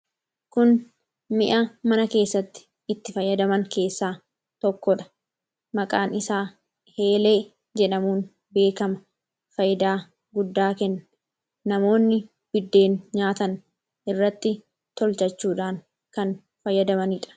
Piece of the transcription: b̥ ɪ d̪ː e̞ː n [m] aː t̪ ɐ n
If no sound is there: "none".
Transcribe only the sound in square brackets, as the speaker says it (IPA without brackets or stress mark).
ɲ